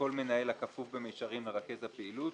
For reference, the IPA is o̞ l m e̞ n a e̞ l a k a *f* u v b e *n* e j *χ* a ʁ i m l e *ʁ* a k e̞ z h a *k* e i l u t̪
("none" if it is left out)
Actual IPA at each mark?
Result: f, m, ʃ, ʁ, p

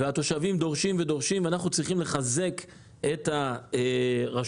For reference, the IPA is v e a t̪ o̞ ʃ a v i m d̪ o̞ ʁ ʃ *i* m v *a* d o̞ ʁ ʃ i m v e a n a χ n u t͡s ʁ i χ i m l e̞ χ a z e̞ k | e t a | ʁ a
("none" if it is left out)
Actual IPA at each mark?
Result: i, e

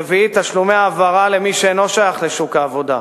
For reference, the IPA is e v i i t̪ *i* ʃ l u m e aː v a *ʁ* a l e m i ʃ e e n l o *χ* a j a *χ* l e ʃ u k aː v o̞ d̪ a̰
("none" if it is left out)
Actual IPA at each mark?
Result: a, ʁ, ʃ, χ

